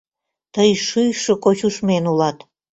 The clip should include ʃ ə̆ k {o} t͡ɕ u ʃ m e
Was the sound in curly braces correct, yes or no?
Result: yes